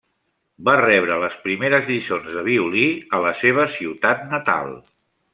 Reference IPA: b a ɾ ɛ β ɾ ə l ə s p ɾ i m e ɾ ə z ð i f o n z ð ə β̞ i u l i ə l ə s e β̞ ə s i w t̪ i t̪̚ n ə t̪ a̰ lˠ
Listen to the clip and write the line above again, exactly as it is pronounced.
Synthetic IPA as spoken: b a r ɛ β ɾ ə l ə s p ɾ i m e ɾ ə z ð i s o n z ð ə β̞ i u l i ə l ə s e β̞ ə s i w t̪ a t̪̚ n ə t̪ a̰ lˠ